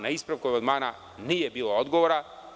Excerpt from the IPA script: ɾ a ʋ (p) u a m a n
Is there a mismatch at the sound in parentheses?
yes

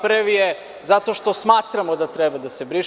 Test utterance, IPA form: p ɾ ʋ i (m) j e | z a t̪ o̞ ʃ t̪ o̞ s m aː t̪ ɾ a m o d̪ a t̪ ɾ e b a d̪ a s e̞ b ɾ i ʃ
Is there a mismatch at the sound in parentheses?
yes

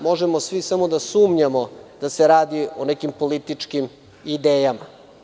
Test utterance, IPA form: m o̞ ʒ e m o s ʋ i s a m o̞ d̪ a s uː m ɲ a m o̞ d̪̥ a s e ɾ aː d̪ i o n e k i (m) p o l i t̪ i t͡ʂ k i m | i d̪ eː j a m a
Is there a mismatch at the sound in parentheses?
no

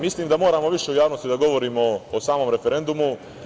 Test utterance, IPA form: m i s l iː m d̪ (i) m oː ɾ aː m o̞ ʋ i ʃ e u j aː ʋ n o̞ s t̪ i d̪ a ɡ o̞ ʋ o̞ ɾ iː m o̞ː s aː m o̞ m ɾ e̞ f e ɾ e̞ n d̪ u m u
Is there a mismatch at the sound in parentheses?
yes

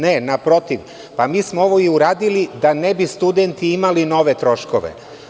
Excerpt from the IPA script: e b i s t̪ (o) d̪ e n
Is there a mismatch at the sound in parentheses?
yes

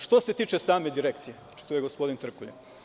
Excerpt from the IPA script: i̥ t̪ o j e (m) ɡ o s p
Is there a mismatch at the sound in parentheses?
yes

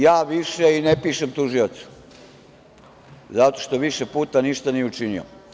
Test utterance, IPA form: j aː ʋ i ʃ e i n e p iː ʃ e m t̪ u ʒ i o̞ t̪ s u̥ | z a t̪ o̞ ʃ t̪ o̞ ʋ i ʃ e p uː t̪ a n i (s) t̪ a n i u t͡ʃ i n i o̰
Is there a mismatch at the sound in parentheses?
yes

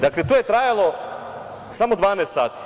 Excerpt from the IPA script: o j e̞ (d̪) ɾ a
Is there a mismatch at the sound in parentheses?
yes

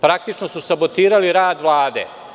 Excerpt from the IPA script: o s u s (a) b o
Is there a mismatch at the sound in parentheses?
no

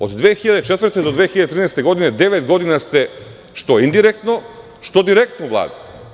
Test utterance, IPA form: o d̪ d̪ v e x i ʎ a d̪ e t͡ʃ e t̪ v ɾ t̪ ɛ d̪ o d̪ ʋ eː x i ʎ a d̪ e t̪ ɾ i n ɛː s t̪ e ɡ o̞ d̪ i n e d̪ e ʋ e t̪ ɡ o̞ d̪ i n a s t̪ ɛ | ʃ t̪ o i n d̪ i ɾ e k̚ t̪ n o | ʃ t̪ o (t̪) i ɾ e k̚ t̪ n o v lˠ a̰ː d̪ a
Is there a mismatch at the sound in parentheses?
yes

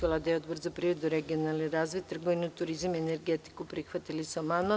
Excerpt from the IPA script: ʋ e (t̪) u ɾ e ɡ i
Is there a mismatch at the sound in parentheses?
yes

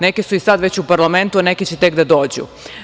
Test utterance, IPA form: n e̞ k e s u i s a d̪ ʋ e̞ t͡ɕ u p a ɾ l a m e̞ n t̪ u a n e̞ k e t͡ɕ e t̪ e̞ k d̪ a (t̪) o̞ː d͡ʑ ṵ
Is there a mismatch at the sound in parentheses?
yes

